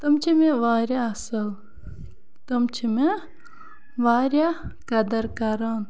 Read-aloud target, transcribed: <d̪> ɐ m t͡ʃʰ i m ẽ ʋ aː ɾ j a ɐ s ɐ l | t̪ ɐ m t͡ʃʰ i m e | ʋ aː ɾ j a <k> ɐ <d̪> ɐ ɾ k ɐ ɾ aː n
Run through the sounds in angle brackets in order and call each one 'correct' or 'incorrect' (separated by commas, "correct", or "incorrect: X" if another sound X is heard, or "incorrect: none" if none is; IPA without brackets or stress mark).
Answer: incorrect: t̪, correct, correct